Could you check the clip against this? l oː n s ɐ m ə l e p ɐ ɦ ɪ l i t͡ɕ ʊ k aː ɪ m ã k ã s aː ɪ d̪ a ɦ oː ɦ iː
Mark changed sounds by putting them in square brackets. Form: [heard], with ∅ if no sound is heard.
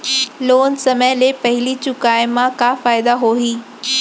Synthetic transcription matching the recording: l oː n s ɐ m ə l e p ɐ ɦ ɪ l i t͡ɕ ʊ k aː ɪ m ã k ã [f] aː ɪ d̪ a ɦ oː ɦ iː